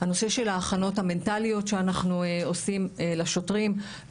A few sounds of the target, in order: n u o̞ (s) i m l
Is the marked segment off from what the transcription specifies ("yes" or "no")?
no